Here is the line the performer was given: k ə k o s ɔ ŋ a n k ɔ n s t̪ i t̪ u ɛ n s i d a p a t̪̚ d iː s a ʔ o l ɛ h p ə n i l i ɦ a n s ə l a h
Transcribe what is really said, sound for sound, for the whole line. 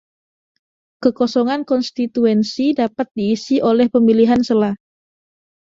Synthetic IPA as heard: k ə k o s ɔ ŋ a n k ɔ n s t̪ i t̪ u ɛ n s i d a p a t̪̚ d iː s i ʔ o l ɛ h p ə m i l i ɦ a n s ə l a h

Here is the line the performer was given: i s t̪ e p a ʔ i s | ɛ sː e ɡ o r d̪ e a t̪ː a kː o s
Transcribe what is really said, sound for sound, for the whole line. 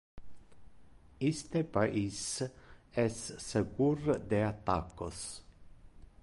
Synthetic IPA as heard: i s t̪ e p a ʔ i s | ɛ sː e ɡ u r d̪ e a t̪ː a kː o s

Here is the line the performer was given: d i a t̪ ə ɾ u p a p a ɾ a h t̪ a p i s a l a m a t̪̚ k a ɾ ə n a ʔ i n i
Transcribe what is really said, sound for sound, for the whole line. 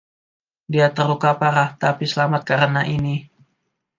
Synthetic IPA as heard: d i a t̪ ə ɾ u k a p a ɾ a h t̪ a p i s ə l a m a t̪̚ k a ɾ ə n a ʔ i n i

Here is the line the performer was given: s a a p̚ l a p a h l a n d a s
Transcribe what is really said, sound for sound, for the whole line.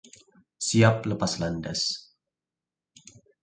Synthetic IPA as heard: s i a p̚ l ə p a s l a n d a s

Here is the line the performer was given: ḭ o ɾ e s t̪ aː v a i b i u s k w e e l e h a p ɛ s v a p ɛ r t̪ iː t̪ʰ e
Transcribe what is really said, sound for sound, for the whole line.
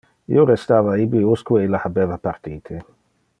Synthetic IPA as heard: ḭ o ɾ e s t̪ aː v a i b i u s k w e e l a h a b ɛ v a p a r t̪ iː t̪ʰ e

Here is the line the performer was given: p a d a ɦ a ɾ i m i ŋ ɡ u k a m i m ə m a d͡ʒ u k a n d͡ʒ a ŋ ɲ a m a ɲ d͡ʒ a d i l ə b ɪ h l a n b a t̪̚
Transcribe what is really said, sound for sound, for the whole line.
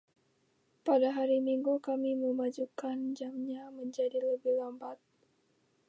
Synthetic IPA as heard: p a d a ɦ a ɾ i m i ŋ ɡ u k a m i m ə m a d͡ʒ u k a n d͡ʒ a m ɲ a m ə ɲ d͡ʒ a d i l ə b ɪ h l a m b a t̪̚

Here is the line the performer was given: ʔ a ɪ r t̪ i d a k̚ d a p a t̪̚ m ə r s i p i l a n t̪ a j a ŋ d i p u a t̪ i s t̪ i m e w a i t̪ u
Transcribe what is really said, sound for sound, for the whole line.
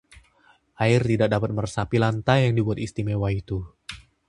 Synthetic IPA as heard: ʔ a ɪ r t̪ i d a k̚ d a p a t̪̚ m ə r s a p i l a n t̪ a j a ŋ d i b u a t̪ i s t̪ i m e w a i t̪ u

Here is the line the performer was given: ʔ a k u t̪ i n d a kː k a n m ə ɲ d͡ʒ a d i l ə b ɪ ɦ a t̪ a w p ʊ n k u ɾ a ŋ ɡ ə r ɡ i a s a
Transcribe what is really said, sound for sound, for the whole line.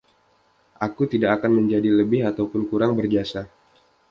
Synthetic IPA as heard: ʔ a k u t̪ i d a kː k a n m ə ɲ d͡ʒ a d i l ə b ɪ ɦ a t̪ a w p ʊ n k u ɾ a ŋ b ə r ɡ i a s a

